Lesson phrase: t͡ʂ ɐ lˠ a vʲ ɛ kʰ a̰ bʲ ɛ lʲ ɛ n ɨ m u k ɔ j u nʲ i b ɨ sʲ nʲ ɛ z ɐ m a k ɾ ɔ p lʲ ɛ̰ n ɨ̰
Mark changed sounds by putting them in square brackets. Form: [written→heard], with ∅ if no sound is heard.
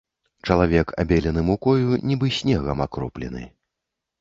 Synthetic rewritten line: t͡ʂ ɐ lˠ a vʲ ɛ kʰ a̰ bʲ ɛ lʲ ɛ n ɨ m u k ɔ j u nʲ i b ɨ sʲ nʲ ɛ [z→ɣ] ɐ m a k ɾ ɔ p lʲ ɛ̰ n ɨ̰

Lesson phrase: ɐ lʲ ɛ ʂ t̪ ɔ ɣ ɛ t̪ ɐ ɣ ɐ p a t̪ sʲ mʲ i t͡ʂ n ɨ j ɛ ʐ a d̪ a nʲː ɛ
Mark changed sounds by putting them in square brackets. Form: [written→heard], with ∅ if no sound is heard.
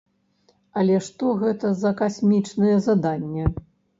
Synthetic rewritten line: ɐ lʲ ɛ ʂ t̪ ɔ ɣ ɛ t̪ ɐ [ɣ→z] ɐ [p→k] a [t̪→∅] sʲ mʲ i t͡ʂ n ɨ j ɛ [ʐ→z] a d̪ a nʲː ɛ

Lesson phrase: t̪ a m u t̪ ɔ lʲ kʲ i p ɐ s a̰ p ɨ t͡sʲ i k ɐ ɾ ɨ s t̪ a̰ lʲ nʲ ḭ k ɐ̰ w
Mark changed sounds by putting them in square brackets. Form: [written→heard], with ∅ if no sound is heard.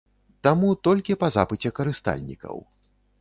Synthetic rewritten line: t̪ a m u t̪ ɔ lʲ kʲ i p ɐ [s→z] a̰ p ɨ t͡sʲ [i→ɛ] k ɐ ɾ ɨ s t̪ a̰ lʲ nʲ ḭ k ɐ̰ w

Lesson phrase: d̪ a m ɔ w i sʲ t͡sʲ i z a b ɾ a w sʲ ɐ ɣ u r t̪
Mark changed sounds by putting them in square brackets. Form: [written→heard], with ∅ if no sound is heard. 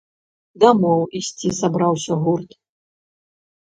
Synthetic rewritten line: d̪ a m ɔ w i sʲ t͡sʲ i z a b ɾ a w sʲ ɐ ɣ u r t̪

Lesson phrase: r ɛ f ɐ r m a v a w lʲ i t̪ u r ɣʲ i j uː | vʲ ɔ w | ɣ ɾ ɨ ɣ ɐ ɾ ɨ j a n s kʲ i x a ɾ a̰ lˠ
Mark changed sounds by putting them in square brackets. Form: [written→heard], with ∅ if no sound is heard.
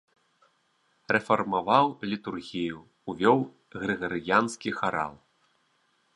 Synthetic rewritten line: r ɛ f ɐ r m a v a w lʲ i t̪ u r ɣʲ i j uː | vʲ ɔ w | ɣ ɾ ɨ ɣ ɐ ɾ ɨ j a n s kʲ i x a ɾ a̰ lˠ

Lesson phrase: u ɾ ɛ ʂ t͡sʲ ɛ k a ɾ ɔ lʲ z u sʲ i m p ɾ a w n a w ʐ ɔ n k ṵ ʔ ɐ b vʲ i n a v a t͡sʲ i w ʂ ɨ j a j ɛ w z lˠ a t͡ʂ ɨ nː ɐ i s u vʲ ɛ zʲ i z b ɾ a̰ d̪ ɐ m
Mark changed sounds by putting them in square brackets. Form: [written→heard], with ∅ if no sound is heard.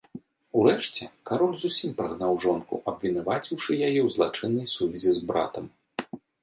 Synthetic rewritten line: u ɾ ɛ ʂ t͡sʲ ɛ k a ɾ ɔ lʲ z u sʲ i m p ɾ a [w→ɣ] n a w ʐ ɔ n k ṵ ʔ ɐ b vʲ i n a v a t͡sʲ i w ʂ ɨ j a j ɛ w z lˠ a t͡ʂ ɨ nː ɐ [i→j] s u vʲ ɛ zʲ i z b ɾ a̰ [d̪→t̪] ɐ m

